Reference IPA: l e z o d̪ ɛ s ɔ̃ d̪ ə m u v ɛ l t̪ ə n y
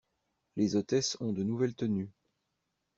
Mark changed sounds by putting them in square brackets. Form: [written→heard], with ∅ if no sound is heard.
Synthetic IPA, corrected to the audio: l e z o [d̪→t̪] ɛ s ɔ̃ d̪ ə [m→n] u v ɛ l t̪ ə n y